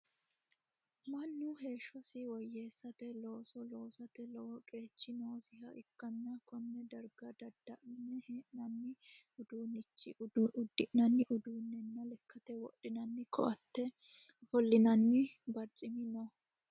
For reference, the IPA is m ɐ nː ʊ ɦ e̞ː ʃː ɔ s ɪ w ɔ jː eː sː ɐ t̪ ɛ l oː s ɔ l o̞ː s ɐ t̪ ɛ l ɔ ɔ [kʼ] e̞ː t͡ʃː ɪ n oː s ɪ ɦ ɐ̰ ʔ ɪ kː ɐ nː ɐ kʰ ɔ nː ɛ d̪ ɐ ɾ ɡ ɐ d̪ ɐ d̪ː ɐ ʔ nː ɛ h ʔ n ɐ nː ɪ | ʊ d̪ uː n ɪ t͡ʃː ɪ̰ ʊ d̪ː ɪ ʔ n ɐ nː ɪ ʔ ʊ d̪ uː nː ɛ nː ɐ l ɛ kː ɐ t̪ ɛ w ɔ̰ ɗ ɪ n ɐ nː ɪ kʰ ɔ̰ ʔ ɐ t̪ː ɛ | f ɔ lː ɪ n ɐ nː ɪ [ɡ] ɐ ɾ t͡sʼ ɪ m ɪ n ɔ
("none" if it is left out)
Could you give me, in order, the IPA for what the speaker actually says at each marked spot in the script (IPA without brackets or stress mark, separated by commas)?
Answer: kʼ, b